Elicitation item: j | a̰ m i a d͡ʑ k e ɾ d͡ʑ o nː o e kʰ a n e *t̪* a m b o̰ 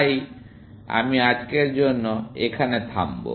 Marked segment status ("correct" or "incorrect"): incorrect